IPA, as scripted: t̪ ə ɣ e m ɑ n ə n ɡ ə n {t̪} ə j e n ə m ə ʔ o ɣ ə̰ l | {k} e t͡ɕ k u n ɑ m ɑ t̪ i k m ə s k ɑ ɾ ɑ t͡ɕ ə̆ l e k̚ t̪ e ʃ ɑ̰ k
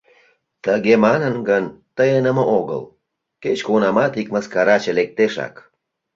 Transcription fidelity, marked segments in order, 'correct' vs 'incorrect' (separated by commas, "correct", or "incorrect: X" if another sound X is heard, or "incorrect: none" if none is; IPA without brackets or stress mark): correct, correct